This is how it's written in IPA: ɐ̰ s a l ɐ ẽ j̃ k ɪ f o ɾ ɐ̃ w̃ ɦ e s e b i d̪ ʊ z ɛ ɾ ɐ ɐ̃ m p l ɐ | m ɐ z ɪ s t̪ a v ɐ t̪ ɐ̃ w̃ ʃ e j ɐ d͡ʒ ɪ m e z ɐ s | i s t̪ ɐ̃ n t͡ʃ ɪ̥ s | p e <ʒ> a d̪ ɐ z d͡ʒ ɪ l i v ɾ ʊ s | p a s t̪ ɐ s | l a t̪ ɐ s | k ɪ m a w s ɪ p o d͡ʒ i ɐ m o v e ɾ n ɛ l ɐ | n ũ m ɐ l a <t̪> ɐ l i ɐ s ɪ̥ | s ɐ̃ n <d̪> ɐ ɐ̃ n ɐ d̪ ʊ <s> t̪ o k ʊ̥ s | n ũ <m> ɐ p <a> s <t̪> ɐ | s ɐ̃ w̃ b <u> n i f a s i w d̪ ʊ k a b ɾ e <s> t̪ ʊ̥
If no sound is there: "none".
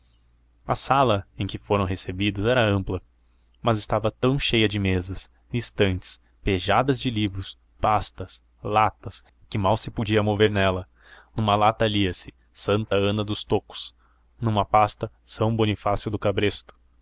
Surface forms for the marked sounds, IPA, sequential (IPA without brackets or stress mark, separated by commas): ʒ, t̪, t̪, s, m, a, t̪, o, s